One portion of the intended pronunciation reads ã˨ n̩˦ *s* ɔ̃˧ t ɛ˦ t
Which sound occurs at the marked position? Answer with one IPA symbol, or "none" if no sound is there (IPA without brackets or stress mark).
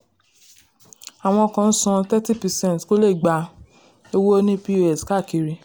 s